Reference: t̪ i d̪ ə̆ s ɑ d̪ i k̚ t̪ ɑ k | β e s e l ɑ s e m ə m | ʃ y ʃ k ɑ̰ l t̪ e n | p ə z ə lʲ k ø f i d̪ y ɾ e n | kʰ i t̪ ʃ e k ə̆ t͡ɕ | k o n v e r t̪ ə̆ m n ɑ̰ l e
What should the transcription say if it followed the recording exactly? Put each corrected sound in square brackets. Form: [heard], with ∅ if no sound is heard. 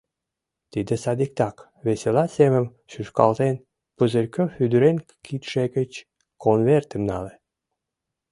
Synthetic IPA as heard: t̪ i d̪ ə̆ s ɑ d̪ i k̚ t̪ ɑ k | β e s e l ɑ s e m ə m | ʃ y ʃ k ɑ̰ l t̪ e n | p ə z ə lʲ k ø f [y] d̪ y ɾ e n | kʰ i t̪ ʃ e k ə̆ t͡ɕ | k o n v e r t̪ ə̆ m n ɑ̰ l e

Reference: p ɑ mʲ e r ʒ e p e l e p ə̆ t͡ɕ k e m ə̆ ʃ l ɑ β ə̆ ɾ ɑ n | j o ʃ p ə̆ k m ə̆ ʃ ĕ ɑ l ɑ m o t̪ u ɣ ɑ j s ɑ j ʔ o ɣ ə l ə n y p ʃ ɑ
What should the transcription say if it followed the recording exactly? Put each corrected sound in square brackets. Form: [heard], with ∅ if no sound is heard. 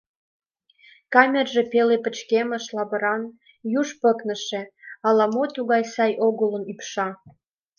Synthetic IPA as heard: [k] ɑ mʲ e r ʒ e p e l e p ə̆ t͡ɕ k e m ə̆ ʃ l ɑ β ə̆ ɾ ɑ n | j [u] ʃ p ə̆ k [n] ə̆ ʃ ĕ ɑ l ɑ m o t̪ u ɣ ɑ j s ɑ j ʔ o ɣ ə l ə n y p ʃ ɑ

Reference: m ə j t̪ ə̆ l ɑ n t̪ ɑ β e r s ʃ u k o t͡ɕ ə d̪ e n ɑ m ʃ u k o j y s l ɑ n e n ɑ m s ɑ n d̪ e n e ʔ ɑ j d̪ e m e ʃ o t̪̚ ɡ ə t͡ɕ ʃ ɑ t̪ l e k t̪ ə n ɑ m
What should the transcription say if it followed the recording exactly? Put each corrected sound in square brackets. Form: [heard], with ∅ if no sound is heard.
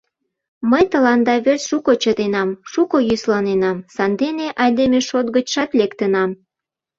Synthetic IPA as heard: m ə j t̪ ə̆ l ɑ n [d̪] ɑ β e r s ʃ u k o t͡ɕ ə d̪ e n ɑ m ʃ u k o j y s l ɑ n e n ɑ m s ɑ n d̪ e n e ʔ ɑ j d̪ e m e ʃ o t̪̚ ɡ ə t͡ɕ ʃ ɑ t̪ l e k t̪ ə n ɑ m

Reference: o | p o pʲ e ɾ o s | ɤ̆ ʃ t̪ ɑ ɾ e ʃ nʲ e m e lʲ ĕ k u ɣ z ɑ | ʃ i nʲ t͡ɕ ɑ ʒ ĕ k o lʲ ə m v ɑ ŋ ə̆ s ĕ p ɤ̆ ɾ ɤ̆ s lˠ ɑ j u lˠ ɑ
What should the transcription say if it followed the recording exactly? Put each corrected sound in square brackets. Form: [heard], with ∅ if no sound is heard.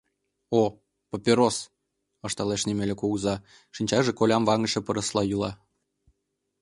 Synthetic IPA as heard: o | p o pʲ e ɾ o s | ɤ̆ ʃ t̪ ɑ [l] e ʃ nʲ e m e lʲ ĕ k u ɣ z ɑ | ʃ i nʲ t͡ɕ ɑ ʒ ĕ k o lʲ [ɑ] m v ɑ ŋ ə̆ [ʃ] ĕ p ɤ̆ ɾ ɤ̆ s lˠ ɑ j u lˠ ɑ

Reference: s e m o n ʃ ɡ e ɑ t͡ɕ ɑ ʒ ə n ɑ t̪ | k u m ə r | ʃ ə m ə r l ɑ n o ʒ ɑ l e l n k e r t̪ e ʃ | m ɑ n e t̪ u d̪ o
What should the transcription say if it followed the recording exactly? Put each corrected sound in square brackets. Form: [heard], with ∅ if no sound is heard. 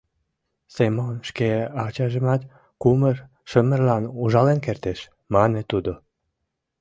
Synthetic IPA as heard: s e m o n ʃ [k] e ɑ t͡ɕ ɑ ʒ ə [m] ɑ t̪ | k u m ə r | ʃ ə m ə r l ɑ n [u] ʒ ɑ l e [∅] n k e r t̪ e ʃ | m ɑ n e t̪ u d̪ o

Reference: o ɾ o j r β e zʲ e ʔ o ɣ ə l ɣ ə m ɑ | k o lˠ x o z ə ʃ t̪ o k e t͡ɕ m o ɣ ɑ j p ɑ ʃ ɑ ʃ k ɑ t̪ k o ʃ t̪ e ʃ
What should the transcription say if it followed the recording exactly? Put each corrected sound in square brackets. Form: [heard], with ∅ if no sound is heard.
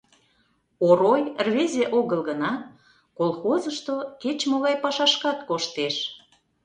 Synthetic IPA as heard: o ɾ o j r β e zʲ e ʔ o ɣ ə l ɣ ə [n] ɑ | k o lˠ x o z ə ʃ t̪ o k e t͡ɕ m o ɣ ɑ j p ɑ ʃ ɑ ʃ k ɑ t̪ k o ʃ t̪ e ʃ

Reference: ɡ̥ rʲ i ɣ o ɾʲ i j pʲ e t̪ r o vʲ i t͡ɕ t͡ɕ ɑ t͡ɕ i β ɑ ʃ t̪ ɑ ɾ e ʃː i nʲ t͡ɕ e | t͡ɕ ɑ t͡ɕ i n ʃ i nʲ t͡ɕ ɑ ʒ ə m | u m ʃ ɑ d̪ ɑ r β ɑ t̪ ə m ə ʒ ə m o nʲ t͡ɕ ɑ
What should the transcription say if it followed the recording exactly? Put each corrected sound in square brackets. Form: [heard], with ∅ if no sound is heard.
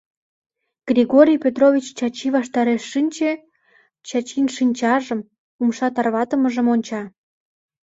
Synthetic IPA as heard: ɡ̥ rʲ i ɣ o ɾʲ i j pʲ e t̪ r o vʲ i t͡ɕ t͡ɕ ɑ t͡ɕ i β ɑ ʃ t̪ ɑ ɾ e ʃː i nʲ t͡ɕ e | t͡ɕ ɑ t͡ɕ i n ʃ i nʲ t͡ɕ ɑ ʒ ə m | u m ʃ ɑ [t̪] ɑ r β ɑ t̪ ə m ə ʒ ə m o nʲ t͡ɕ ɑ

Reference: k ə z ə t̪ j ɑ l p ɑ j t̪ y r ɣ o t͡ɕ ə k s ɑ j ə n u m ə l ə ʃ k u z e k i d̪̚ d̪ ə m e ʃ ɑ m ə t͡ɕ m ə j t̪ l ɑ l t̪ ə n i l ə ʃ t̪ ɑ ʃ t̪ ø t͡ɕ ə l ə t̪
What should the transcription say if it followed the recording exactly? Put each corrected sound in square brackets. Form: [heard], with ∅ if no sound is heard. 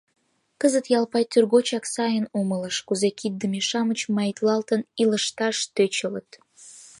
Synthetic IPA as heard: k ə z ə t̪ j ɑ l p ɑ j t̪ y r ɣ o t͡ɕ [ɑ] k s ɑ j ə n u m ə l ə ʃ k u z e k i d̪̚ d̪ ə m e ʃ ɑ m ə t͡ɕ m [ɑ] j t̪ l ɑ l t̪ ə n i l ə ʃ t̪ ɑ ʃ t̪ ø t͡ɕ ə l ə t̪

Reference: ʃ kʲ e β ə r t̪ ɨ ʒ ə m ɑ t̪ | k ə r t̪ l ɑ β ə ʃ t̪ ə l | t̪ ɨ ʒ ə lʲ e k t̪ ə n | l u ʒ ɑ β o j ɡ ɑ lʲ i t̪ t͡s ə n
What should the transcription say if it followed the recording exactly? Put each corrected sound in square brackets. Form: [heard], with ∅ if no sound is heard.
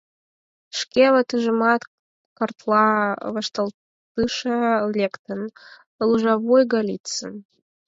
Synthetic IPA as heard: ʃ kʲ e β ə [∅] t̪ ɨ ʒ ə m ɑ t̪ | k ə r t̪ l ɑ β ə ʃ t̪ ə l | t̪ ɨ [ʃ] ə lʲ e k t̪ ə n | l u ʒ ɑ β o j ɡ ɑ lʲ i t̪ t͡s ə n

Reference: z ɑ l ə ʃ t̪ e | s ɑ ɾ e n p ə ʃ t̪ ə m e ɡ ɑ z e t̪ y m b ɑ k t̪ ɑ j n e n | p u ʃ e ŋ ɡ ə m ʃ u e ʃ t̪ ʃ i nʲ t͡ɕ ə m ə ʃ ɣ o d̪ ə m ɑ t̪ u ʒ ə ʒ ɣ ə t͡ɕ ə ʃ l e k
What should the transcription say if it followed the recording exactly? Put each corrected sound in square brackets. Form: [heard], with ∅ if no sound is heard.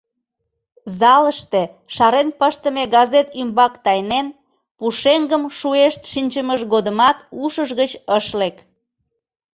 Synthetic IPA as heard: z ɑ l ə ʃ t̪ e | [ʃ] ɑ ɾ e n p ə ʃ t̪ ə m e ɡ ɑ z e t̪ y m b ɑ k t̪ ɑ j n e n | p u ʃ e ŋ ɡ ə m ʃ u e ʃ t̪ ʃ i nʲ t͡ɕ ə m ə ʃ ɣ o d̪ ə m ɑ t̪ u [ʃ] ə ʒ ɣ ə t͡ɕ ə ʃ l e k

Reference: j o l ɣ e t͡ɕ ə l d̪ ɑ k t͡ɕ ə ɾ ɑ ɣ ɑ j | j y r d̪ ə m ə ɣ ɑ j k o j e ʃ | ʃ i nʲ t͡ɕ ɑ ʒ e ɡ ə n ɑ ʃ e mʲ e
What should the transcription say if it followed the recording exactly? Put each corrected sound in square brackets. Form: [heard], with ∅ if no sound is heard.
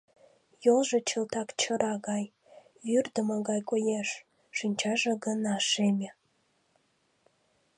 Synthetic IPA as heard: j o l [ʒ] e t͡ɕ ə l [t̪] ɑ k t͡ɕ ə ɾ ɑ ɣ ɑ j | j y r d̪ ə m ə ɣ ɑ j k o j e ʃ | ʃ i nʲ t͡ɕ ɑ ʒ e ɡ ə n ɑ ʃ e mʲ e

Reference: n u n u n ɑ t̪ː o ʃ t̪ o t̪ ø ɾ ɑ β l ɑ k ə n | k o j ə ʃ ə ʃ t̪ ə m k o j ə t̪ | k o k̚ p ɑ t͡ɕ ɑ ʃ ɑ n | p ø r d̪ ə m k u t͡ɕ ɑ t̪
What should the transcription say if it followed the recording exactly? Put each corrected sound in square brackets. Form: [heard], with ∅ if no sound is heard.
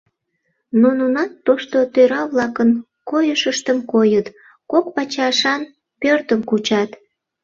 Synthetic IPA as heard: n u n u n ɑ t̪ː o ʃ t̪ o t̪ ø ɾ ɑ β l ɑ k ə n | k o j ə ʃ ə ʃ t̪ ə m k o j ə t̪ | k o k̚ p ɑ t͡ɕ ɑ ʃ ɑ n | p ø r [t̪] ə m k u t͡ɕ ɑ t̪

